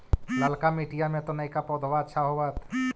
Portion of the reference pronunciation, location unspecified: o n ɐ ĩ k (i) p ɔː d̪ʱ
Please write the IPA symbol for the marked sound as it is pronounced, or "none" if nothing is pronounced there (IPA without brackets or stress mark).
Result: a